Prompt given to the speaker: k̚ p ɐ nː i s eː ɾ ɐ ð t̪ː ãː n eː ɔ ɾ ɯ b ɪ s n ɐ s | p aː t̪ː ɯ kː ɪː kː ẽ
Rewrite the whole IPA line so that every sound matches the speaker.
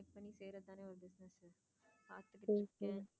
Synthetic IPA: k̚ p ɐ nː i s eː ɾ ɐ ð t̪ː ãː n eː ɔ ɾ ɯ b ɪ s n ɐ s | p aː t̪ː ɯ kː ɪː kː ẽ

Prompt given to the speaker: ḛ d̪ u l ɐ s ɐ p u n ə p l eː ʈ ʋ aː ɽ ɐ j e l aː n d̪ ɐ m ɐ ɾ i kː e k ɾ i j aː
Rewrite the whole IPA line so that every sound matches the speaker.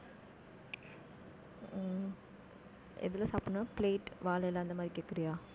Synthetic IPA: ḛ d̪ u l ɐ s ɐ p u n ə p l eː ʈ ʋ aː l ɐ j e l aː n d̪ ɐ m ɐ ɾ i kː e k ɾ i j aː

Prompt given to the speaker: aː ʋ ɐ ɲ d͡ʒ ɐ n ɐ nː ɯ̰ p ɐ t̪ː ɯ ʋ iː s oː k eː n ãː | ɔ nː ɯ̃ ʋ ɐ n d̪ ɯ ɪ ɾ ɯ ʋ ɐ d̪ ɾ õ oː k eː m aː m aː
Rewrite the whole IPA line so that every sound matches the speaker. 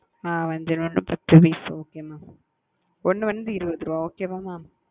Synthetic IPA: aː ʋ ɐ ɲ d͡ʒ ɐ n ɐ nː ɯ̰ p ɐ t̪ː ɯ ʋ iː s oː k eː m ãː | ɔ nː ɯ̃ ʋ ɐ n d̪ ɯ ɪ ɾ ɯ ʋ ɐ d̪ ɾ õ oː k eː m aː m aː

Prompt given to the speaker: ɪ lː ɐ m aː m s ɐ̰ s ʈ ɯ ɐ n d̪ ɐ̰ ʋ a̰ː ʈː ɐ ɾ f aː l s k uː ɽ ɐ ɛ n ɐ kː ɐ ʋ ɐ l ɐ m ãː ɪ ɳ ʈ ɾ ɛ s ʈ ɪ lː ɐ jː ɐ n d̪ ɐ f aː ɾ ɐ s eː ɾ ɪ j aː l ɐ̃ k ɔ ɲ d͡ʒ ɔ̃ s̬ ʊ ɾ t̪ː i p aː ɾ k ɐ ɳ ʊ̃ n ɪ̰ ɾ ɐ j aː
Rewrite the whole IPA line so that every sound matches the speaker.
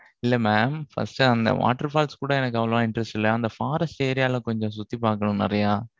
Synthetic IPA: ɪ lː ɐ m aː m f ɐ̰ s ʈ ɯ ɐ n d̪ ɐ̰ ʋ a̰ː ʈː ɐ ɾ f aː l s k uː ɽ ɐ ɛ n ɐ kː ɐ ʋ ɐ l ɐ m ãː ɪ ɳ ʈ ɾ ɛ s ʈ ɪ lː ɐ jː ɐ n d̪ ɐ f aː ɾ ɐ s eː ɾ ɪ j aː l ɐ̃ k ɔ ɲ d͡ʒ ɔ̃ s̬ ʊ t̪ː i p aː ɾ k ɐ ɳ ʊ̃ n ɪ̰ ɾ ɐ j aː

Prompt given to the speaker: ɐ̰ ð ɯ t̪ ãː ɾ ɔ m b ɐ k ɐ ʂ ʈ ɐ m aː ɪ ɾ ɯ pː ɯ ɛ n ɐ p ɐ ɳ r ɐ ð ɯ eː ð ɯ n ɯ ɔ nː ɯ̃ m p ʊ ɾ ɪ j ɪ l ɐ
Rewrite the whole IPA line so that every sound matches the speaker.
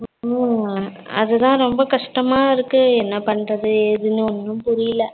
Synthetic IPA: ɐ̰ ð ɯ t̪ ãː ɾ ɔ m b ɐ k ɐ ʂ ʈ ɐ m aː ɪ ɾ ɯ kː ɯ ɛ nː ɐ p ɐ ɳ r ɐ ð ɯ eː ð ɯ n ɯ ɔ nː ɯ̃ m p ʊ ɾ ɪ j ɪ l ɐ

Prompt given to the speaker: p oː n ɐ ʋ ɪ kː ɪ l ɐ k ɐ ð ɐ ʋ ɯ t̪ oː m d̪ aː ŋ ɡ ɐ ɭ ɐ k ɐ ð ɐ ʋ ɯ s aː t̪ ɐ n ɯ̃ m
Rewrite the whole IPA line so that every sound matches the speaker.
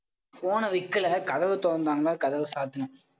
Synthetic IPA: p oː n ɐ ʋ ɪ kː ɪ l ɐ k ɐ ð ɐ ʋ ɯ t̪ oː n d̪ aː ŋ ɡ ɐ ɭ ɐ k ɐ ð ɐ ʋ ɯ s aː t̪ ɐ n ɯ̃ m

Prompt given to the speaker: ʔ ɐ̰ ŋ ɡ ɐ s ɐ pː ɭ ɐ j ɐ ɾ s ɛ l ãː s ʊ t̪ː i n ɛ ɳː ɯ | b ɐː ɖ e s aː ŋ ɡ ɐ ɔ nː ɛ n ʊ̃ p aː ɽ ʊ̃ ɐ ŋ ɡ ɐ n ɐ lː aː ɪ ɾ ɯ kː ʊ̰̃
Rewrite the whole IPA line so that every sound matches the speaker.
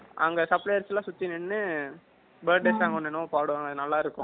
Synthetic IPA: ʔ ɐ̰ ŋ ɡ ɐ s ɐ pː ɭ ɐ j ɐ ɾ s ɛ l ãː s ʊ t̪ː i n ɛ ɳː ɯ | b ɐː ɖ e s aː ŋ ɡ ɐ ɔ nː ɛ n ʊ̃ p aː ɽ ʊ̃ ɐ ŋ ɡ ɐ n ɐ lː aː ɪ ɾ ɯ kː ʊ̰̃

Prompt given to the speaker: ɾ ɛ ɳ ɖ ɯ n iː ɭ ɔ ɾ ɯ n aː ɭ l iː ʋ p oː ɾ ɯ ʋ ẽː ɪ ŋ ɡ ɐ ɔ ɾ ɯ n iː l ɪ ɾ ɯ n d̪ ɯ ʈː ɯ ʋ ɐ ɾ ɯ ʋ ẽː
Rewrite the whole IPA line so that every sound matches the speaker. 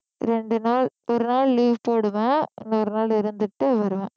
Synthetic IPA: ɾ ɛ ɳ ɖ ɯ n aː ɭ ɔ ɾ ɯ n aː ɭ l iː ʋ p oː ɽ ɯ ʋ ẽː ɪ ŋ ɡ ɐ ɔ ɾ ɯ n aː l ɪ ɾ ɯ n d̪ ɯ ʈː ɯ ʋ ɐ ɾ ɯ ʋ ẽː

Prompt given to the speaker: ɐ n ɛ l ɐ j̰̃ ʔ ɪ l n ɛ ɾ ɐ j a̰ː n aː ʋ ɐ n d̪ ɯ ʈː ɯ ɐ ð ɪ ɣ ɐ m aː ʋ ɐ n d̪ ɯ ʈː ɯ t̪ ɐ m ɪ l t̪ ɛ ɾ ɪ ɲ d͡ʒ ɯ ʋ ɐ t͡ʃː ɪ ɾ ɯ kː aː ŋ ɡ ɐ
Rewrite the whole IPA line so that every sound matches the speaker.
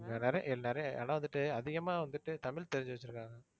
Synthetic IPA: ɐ n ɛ ɾ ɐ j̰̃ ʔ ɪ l n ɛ ɾ ɐ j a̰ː n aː ʋ ɐ n d̪ ɯ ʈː ɯ ɐ ð ɪ ɣ ɐ m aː ʋ ɐ n d̪ ɯ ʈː ɯ t̪ ɐ m ɪ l t̪ ɛ ɾ ɪ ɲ d͡ʒ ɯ ʋ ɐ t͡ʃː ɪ ɾ ɯ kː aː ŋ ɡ ɐ

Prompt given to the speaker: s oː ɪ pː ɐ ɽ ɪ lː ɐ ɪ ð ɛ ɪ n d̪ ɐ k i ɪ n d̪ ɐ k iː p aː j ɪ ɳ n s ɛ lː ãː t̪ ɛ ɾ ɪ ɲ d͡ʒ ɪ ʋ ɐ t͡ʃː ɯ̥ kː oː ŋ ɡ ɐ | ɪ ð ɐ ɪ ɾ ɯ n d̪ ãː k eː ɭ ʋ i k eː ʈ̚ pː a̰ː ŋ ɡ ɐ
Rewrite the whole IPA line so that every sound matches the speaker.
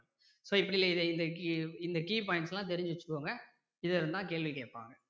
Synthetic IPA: s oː ɪ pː ɐ ɽ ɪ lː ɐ ɪ ð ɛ ɪ n d̪ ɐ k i ɪ n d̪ ɐ k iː p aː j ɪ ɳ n s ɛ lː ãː t̪ ɛ ɾ ɪ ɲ d͡ʒ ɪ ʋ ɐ t͡ʃː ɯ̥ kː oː ŋ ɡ ɐ | ɪ ð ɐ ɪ ɾ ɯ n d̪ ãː k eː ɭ ʋ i k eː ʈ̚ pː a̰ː ŋ ɡ ɐ

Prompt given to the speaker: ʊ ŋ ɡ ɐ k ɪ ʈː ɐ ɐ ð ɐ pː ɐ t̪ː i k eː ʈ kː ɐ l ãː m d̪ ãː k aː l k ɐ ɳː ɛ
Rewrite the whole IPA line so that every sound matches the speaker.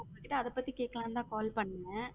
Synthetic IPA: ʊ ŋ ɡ ɐ k ɪ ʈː ɐ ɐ ð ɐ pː ɐ t̪ː i k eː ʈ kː ɐ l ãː n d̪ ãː k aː l p ɐ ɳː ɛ

